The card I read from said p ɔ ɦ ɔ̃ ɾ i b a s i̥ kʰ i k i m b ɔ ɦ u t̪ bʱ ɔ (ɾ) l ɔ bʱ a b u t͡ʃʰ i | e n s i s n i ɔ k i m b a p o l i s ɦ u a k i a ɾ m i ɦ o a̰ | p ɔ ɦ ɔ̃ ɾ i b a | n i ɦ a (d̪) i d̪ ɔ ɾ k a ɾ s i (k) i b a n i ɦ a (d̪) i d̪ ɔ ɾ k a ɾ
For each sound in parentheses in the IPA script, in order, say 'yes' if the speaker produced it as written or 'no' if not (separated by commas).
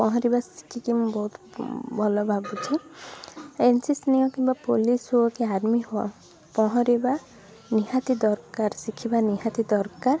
no, no, no, no